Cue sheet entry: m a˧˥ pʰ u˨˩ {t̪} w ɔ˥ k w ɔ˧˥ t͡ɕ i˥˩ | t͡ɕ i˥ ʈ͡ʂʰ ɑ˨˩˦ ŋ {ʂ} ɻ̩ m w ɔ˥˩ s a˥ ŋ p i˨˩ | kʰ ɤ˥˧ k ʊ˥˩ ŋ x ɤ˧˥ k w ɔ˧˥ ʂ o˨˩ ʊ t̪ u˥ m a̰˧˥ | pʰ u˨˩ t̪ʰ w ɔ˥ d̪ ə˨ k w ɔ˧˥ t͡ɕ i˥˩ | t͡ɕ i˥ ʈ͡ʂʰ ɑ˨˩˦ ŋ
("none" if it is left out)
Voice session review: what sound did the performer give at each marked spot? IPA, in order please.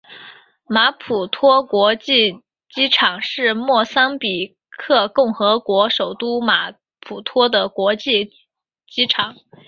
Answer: t̪ʰ, ʂ

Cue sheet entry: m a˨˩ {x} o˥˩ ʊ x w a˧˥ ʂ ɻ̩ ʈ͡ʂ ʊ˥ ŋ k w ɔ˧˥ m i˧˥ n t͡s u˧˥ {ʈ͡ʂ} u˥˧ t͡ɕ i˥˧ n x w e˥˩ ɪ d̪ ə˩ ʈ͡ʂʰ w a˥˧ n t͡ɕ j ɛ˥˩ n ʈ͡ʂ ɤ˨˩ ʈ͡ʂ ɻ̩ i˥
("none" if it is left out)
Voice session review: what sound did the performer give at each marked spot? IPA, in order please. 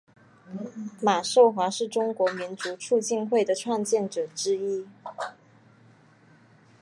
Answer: ʂ, ʈ͡ʂʰ

